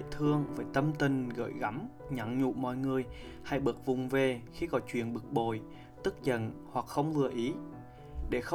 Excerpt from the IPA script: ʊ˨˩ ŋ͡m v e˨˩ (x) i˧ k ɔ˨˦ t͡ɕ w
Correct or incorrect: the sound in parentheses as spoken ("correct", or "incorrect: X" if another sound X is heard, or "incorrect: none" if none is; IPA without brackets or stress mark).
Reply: correct